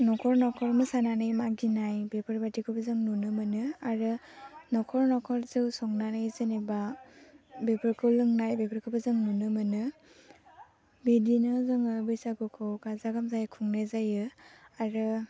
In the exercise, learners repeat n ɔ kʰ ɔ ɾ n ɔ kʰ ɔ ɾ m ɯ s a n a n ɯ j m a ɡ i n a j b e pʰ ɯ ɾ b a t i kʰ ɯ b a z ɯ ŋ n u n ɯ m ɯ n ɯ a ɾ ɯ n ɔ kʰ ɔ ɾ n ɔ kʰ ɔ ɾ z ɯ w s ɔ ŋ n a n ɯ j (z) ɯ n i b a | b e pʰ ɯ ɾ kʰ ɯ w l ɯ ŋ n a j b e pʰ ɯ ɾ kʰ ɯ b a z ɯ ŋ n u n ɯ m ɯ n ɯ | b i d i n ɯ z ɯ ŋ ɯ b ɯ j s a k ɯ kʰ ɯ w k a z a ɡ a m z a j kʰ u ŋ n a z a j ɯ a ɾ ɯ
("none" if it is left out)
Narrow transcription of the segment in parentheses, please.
z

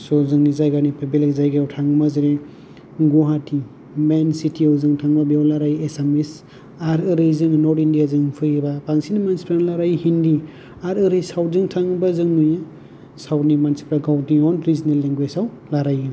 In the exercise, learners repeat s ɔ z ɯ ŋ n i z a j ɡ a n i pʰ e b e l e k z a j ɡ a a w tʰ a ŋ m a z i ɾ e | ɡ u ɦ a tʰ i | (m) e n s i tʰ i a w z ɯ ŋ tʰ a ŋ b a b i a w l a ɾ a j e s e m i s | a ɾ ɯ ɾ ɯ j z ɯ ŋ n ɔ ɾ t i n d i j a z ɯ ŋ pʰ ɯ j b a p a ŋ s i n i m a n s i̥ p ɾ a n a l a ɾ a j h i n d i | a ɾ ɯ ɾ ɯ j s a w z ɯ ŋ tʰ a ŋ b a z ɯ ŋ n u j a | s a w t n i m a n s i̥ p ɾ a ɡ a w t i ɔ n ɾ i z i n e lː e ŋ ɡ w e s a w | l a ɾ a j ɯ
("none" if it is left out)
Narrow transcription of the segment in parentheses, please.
m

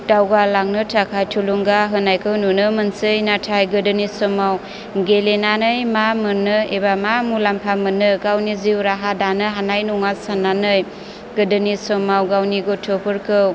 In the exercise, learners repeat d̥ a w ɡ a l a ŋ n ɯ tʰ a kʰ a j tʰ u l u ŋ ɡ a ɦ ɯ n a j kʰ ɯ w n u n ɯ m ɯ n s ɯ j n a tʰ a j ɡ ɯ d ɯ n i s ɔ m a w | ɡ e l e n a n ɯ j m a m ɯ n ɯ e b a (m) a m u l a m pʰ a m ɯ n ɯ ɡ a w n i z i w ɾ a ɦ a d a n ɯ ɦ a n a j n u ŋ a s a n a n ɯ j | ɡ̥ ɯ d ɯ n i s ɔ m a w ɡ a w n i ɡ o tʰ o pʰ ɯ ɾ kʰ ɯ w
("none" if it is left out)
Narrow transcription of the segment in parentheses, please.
m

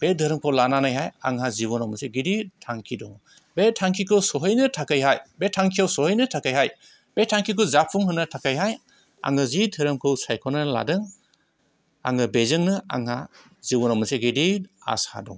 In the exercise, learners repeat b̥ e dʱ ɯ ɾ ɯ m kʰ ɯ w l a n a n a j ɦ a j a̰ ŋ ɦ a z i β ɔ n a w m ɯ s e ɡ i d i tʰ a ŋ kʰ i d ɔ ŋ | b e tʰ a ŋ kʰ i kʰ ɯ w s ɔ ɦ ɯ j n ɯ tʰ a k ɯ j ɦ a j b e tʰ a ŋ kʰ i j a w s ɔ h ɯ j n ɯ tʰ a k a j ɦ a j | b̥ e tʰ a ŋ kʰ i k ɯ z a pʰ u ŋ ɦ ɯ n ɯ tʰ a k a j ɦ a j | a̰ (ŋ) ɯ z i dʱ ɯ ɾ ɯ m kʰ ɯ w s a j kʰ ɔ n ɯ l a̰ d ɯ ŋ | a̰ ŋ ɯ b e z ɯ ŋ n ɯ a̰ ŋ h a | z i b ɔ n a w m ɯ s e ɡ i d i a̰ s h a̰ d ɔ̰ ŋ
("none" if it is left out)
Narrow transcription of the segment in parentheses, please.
ŋ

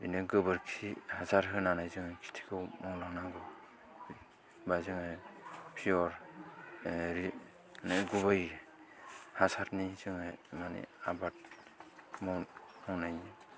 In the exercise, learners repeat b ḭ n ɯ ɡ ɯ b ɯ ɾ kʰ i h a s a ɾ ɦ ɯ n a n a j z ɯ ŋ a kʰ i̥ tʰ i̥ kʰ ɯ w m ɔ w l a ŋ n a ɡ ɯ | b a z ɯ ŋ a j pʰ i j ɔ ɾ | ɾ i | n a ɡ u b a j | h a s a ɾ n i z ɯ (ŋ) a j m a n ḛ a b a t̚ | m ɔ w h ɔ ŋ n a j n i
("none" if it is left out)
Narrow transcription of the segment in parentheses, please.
ŋ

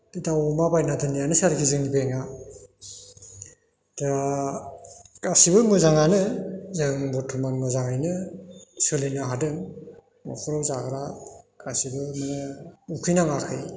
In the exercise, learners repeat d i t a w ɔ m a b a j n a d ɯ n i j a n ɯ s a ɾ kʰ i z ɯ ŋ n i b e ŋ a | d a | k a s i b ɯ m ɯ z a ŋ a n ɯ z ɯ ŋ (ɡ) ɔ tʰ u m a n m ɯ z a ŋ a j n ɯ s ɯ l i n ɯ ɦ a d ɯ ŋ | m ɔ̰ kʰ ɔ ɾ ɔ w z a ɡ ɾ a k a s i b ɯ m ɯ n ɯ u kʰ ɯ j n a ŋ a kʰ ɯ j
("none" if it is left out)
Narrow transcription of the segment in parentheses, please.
b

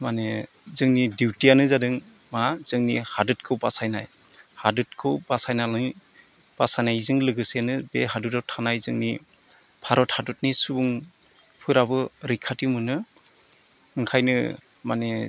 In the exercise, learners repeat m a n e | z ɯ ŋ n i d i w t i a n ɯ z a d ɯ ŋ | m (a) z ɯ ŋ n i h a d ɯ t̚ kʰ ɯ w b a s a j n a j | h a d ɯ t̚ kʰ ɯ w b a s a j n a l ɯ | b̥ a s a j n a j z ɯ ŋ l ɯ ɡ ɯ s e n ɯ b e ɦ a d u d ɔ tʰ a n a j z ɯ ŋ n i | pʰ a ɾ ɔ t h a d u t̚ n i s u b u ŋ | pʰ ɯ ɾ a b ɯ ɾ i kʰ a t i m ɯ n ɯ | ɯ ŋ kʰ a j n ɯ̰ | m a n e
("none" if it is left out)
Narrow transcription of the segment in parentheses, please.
a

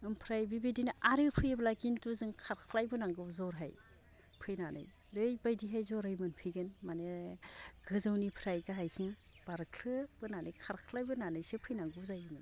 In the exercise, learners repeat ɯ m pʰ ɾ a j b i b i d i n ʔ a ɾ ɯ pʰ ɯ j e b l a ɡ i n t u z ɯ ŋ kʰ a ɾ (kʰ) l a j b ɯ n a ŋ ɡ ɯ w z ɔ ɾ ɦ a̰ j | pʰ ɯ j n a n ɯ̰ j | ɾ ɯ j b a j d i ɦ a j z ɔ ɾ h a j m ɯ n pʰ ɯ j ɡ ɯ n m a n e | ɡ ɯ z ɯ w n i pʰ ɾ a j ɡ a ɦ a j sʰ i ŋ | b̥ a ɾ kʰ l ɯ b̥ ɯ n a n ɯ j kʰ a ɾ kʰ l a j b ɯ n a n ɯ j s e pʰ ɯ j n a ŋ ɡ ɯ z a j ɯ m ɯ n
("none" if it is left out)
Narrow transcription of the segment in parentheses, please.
kʰ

